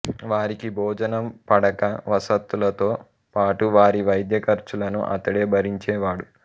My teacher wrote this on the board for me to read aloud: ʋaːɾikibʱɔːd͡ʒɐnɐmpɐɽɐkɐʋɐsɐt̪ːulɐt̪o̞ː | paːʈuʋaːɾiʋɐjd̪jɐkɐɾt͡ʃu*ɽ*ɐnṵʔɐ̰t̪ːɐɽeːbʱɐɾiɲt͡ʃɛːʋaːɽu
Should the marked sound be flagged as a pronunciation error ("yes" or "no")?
yes